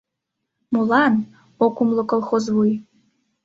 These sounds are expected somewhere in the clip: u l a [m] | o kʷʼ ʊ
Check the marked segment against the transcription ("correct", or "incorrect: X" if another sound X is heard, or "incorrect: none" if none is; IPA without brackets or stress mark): incorrect: n